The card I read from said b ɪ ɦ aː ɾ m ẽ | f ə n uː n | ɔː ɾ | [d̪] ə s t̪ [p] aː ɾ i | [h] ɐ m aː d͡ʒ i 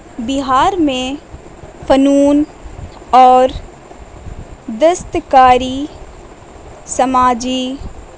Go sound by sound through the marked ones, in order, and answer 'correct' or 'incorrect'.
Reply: correct, incorrect: k, incorrect: s

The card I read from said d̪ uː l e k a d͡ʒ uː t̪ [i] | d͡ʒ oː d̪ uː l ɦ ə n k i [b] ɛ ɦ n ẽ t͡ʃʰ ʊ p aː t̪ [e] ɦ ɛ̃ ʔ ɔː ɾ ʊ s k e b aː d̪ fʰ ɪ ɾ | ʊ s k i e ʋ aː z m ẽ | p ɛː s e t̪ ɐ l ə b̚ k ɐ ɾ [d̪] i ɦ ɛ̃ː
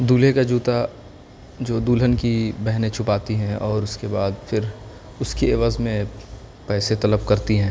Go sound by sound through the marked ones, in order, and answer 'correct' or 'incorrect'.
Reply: incorrect: a, correct, incorrect: i, incorrect: t̪

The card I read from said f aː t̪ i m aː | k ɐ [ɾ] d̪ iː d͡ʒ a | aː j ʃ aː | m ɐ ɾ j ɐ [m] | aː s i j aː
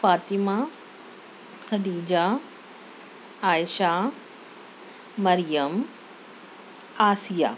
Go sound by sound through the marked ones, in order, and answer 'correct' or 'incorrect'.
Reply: incorrect: none, correct

